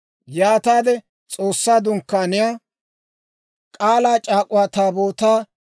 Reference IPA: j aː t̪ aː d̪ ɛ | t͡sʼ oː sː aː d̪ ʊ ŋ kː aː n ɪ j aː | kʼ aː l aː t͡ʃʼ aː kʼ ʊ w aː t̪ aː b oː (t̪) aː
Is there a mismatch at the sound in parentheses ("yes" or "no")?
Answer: no